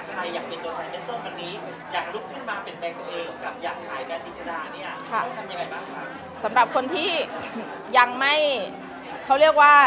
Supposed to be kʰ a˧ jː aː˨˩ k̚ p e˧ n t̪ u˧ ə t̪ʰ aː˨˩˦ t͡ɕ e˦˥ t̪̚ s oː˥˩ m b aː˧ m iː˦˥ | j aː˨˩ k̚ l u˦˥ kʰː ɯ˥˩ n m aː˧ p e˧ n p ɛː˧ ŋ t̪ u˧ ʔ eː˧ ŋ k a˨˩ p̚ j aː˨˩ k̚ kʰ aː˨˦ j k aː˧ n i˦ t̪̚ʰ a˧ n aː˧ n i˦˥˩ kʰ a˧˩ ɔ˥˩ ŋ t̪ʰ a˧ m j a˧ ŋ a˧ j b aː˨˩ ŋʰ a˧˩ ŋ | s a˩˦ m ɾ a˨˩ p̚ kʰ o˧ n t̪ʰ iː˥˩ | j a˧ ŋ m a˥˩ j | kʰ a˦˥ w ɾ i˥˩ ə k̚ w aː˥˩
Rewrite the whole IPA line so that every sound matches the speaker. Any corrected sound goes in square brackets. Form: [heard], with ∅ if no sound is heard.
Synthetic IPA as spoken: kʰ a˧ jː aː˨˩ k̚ p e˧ n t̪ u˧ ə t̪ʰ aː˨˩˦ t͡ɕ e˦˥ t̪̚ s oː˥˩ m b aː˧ [n] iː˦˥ | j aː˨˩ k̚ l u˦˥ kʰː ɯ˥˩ n m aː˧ p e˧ n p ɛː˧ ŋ t̪ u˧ ʔ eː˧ ŋ k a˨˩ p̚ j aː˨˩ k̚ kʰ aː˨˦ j k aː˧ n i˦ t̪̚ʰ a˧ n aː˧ n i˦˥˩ kʰ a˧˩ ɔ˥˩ ŋ t̪ʰ a˧ m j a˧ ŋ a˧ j b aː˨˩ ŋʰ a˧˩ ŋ | s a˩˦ m ɾ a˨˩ p̚ kʰ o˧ n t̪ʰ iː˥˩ | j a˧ ŋ m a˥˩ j | kʰ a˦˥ w ɾ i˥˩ ə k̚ w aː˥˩

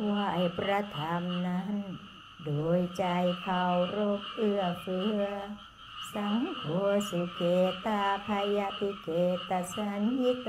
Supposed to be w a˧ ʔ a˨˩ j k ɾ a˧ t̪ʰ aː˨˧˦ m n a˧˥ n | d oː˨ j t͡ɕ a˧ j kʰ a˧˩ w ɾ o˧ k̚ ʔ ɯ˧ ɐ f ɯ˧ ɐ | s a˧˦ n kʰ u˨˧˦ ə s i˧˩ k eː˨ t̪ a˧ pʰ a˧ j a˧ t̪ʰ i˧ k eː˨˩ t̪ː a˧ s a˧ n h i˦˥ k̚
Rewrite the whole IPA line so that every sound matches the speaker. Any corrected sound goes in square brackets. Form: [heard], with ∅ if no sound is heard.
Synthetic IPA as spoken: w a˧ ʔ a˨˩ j [p] ɾ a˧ t̪ʰ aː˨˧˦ m n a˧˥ n | d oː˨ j t͡ɕ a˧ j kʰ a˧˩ w ɾ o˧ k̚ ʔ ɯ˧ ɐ f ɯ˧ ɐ | s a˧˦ [ŋ] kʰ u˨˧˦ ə s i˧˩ k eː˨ t̪ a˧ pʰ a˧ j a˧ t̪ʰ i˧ k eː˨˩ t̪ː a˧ s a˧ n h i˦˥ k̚

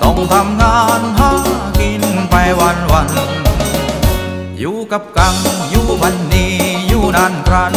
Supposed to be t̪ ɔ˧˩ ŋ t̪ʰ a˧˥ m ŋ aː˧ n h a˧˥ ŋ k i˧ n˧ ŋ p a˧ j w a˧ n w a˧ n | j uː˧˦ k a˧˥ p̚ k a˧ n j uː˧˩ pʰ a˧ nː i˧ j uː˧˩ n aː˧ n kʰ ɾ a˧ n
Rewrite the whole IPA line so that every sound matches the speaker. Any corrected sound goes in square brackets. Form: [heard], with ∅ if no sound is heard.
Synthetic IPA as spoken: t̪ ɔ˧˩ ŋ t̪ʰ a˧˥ m ŋ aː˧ n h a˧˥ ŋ k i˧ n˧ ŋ p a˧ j w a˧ n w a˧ n | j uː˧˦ k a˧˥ p̚ k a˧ [ŋ] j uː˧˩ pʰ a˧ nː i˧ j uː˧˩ n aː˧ n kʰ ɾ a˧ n

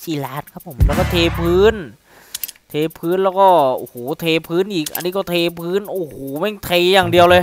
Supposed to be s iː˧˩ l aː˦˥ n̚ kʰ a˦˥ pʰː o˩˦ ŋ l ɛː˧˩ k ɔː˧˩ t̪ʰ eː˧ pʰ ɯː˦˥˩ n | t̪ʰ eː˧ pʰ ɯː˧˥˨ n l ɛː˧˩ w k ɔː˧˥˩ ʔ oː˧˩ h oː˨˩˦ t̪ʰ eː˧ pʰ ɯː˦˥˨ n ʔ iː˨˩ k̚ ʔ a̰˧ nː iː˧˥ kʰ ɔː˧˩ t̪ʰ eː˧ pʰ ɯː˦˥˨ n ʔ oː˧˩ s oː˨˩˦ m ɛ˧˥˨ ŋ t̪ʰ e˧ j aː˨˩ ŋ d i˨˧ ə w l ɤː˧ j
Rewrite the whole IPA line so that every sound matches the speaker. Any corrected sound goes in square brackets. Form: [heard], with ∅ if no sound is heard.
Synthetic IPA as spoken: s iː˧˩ l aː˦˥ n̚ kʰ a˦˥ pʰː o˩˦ [m] l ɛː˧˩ k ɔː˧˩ t̪ʰ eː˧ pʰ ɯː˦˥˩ n | t̪ʰ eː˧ pʰ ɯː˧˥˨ n l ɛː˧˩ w k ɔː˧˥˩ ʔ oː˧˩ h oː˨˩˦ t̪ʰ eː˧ pʰ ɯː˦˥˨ n ʔ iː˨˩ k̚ ʔ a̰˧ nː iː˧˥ [k] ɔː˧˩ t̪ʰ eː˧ pʰ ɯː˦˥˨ n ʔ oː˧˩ [h] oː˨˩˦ m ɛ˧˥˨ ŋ t̪ʰ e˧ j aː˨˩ ŋ d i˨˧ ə w l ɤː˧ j

